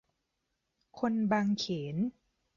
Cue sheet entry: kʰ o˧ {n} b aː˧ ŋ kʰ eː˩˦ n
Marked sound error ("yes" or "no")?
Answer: no